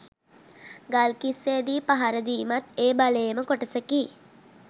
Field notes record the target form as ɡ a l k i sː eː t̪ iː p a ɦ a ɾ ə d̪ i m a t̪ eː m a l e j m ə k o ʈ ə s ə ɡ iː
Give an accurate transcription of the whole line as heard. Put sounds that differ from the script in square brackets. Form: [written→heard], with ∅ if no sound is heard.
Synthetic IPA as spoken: ɡ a l k i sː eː [t̪→d̪] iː p a ɦ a ɾ ə d̪ [i→iː] m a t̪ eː [m→b] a l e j m ə k o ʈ ə s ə [ɡ→k] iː